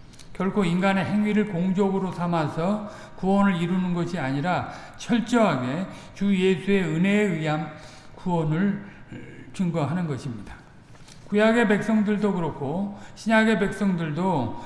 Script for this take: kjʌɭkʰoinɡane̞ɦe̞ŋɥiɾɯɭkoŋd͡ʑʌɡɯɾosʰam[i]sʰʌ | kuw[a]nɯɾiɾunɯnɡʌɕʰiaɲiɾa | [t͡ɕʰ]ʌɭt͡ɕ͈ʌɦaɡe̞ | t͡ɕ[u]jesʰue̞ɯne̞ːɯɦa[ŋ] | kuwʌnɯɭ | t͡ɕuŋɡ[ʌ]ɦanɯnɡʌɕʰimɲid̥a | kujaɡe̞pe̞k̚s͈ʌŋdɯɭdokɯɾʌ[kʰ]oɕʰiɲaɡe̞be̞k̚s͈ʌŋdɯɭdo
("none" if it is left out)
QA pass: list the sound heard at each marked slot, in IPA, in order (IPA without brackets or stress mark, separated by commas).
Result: a, ʌ, t͡ɕʰ, u, m, ʌ, kʰ